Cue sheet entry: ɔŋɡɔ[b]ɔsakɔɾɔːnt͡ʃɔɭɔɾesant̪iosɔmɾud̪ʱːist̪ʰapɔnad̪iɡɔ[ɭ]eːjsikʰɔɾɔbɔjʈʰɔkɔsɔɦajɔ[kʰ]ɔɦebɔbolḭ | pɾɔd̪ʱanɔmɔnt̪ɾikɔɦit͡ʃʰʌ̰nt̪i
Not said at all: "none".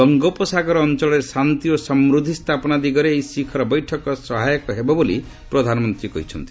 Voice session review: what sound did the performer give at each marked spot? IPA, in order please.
p, ɾ, k

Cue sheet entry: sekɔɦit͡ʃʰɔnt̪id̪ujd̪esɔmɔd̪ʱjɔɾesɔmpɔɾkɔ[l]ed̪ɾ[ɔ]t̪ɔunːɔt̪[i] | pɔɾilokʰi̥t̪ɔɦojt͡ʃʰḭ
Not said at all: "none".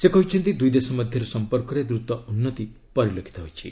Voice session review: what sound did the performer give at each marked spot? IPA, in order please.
ɾ, u, i

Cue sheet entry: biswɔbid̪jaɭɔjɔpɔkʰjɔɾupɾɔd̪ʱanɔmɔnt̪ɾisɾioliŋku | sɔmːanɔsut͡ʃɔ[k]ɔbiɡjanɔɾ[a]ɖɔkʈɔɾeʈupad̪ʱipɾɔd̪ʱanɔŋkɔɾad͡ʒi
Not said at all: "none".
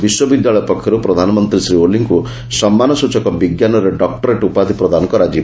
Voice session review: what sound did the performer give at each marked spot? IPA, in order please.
k, e

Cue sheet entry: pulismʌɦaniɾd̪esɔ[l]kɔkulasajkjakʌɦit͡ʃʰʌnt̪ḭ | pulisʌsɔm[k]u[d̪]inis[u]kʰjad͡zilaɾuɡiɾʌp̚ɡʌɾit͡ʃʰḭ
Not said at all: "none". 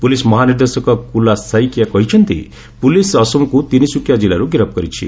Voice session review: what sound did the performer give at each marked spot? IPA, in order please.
none, k, t̪, u

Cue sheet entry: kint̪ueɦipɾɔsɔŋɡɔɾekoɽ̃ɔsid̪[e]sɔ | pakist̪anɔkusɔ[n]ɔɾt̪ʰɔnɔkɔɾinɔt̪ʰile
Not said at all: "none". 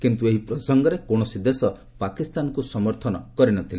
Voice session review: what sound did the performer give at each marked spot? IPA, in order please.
e, m

